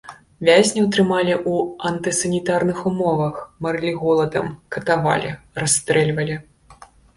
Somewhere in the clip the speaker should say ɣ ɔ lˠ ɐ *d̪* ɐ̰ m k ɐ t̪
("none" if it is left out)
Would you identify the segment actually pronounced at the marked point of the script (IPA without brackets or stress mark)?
d̪